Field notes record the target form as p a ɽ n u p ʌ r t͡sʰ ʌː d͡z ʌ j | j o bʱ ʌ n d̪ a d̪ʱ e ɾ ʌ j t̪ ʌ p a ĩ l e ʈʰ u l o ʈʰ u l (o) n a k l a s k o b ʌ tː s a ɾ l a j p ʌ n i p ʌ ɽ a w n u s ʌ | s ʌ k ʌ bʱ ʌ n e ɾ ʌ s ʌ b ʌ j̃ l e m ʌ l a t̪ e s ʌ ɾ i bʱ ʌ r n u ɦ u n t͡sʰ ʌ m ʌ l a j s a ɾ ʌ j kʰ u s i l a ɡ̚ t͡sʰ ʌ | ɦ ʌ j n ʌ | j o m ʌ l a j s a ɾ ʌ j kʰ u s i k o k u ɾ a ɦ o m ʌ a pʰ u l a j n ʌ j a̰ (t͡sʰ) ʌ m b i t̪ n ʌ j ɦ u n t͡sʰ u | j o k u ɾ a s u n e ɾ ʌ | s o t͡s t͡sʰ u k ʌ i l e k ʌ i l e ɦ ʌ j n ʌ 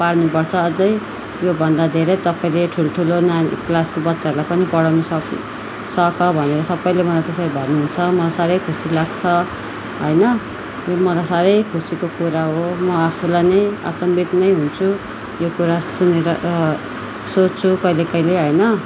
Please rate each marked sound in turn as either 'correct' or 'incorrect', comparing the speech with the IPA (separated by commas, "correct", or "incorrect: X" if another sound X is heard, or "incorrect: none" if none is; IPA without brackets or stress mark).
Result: correct, incorrect: t͡s